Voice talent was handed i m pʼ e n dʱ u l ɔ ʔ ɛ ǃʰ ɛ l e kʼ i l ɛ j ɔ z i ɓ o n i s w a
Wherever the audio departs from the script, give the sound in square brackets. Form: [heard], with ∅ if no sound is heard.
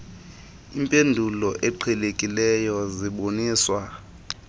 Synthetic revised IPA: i m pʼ e n dʱ u l ɔ ʔ ɛ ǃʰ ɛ l e kʼ i l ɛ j ɔ z i ɓ o n [iː] s w a